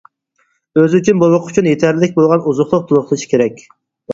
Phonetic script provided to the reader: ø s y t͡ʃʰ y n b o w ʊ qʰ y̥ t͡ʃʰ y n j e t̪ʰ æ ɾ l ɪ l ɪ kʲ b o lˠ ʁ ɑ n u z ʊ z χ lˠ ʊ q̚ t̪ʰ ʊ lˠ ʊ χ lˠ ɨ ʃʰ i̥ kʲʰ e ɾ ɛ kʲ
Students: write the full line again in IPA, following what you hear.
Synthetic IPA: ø z y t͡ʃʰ y n b o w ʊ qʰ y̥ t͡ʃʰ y n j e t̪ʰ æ ɾ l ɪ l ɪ kʲ b o lˠ ʁ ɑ n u z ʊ χ lˠ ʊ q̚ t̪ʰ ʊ lˠ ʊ χ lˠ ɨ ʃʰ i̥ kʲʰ e ɾ ɛ kʲ